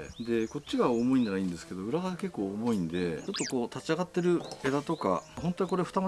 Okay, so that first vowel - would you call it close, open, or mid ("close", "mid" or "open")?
mid